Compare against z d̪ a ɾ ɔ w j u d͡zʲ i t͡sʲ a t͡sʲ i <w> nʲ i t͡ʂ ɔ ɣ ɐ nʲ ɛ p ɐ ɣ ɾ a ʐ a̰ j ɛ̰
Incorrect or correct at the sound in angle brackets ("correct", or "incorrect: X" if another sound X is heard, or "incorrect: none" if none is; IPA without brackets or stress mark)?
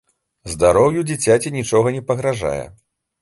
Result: incorrect: none